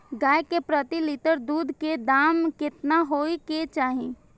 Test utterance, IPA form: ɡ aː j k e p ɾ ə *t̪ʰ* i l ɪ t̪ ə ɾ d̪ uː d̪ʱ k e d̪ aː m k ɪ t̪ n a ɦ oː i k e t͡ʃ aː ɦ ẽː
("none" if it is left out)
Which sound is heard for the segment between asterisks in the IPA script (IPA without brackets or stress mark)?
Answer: t̪